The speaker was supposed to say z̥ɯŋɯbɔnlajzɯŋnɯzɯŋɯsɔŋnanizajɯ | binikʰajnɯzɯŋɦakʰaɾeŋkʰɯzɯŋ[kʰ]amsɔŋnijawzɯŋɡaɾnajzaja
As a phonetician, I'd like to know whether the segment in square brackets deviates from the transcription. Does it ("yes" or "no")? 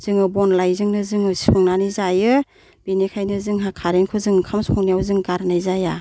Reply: no